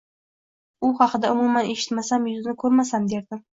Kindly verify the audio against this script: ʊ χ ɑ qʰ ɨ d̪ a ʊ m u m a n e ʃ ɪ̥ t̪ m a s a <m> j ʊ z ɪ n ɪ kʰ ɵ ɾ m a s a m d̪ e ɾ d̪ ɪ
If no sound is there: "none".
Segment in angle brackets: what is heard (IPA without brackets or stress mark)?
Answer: m